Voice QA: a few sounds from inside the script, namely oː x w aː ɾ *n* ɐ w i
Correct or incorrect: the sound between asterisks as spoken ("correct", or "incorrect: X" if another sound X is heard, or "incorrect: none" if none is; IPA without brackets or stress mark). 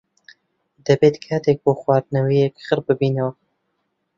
correct